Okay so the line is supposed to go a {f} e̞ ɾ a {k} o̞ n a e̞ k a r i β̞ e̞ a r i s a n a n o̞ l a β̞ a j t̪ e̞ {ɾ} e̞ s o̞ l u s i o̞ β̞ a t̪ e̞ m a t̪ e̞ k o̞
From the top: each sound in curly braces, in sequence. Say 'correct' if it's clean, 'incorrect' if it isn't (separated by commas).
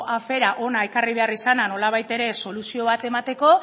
correct, incorrect, correct